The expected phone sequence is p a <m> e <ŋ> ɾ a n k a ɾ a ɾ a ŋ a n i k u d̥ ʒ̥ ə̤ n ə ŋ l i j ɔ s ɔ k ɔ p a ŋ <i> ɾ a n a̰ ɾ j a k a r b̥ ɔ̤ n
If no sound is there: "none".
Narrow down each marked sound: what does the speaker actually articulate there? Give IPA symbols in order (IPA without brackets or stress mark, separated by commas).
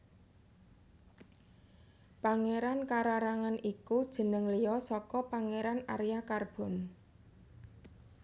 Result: ŋ, none, e